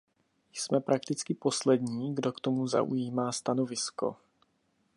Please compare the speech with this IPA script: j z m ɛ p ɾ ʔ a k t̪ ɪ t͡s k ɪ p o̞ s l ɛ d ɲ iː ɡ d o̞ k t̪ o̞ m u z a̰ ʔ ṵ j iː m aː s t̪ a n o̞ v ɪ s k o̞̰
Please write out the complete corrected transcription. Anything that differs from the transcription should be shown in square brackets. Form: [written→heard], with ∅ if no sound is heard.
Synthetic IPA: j [z→s] m ɛ p ɾ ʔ a k t̪ ɪ t͡s k ɪ p o̞ s l ɛ d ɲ iː ɡ d o̞ k t̪ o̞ m u z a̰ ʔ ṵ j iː m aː s t̪ a n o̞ v ɪ s k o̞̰